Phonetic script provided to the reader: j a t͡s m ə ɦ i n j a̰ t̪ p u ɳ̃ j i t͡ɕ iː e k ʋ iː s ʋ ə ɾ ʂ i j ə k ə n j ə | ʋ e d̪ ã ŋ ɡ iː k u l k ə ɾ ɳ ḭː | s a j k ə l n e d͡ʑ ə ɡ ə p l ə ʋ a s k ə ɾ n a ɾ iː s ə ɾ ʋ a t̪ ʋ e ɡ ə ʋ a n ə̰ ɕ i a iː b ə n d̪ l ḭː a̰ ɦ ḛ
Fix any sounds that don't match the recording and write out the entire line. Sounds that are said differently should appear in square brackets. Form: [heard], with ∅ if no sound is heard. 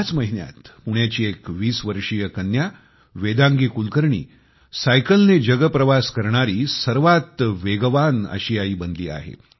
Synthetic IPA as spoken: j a t͡s m ə ɦ i n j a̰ t̪ p u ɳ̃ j [a] t͡ɕ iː e k ʋ iː s ʋ ə ɾ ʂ i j ə k ə n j [a] | ʋ e d̪ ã ŋ ɡ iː k u l k ə ɾ ɳ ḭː | s a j k ə l n e d͡ʑ ə ɡ ə p [ɾ] ə ʋ a s k ə ɾ [ɳ] a ɾ iː s ə ɾ ʋ a t̪ ʋ e ɡ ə ʋ a n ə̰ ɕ i a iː b ə n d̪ l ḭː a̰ ɦ ḛ